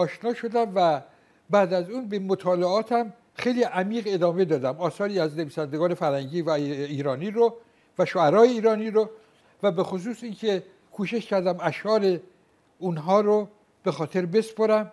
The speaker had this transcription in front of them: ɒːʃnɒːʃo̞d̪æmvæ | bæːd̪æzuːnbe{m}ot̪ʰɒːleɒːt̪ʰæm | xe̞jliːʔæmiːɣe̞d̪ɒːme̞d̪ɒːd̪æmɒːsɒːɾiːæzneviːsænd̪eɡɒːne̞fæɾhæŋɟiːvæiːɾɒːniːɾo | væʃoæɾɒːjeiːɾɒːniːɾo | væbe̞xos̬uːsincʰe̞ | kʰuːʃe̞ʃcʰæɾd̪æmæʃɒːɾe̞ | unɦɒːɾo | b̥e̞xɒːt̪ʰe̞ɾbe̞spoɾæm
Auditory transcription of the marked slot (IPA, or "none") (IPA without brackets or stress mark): m